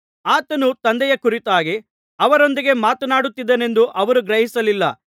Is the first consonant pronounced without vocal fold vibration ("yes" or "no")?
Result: yes